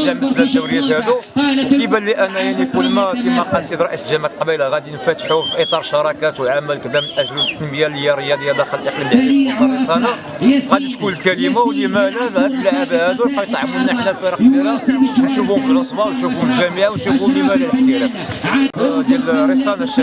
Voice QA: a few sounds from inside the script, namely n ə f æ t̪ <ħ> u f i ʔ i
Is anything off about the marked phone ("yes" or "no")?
no